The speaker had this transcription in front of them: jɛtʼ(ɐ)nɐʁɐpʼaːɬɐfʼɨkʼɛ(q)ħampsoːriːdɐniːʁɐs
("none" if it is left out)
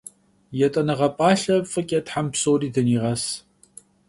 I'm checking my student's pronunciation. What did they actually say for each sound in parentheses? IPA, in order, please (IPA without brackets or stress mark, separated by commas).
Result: ɐ, t